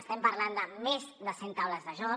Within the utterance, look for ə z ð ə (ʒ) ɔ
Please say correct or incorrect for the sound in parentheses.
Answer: correct